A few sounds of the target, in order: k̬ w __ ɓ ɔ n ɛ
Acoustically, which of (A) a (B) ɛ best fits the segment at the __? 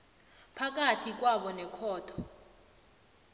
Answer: A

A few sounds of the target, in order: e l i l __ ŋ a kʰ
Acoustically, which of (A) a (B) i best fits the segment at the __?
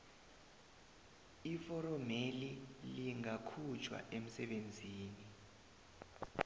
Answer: B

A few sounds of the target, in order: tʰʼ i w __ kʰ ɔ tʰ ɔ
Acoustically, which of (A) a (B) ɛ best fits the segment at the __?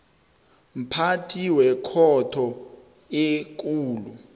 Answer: B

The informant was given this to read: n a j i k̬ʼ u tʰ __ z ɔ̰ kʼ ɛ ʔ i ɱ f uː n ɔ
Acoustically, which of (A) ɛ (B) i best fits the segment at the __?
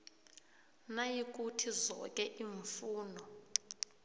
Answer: B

